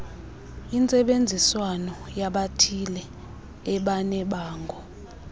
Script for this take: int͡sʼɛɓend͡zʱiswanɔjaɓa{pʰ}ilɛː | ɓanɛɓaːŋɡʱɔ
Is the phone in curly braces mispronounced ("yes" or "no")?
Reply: yes